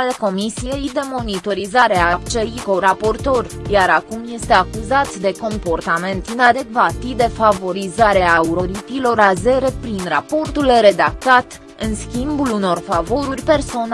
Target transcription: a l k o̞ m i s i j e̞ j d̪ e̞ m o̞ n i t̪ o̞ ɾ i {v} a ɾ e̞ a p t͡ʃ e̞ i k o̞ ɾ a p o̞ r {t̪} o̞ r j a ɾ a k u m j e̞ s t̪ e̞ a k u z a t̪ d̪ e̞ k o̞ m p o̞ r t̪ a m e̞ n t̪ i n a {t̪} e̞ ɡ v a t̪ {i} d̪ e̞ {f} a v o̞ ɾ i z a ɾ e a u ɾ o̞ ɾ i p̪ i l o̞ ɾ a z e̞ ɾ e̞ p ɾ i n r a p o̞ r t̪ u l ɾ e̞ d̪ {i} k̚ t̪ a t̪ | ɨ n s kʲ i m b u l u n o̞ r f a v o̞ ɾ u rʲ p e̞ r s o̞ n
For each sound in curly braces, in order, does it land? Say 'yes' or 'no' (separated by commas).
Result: no, yes, no, yes, yes, no